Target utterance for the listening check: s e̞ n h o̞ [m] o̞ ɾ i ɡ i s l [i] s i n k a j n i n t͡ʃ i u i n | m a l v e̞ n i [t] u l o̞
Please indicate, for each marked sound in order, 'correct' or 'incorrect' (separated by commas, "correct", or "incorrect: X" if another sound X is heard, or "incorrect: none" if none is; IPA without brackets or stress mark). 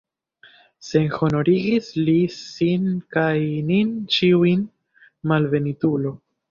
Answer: incorrect: n, correct, correct